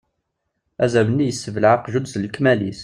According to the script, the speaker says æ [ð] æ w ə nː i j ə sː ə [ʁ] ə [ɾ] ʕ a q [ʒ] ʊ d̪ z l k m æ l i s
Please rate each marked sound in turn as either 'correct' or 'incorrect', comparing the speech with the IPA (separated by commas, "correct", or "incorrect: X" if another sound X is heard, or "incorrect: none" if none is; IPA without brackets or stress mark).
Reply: incorrect: z, incorrect: v, incorrect: l, correct